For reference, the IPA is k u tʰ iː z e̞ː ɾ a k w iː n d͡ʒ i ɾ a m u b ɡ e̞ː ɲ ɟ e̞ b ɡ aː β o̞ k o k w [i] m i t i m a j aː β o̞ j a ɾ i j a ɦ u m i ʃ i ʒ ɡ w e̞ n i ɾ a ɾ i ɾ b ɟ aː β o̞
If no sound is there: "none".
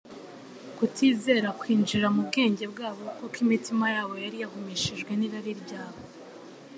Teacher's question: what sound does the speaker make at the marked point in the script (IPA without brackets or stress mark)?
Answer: i